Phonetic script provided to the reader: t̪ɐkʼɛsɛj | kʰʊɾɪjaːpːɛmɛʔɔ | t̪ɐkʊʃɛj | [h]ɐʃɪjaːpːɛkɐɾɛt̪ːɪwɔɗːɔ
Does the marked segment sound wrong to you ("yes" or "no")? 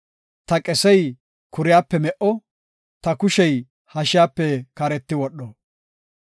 no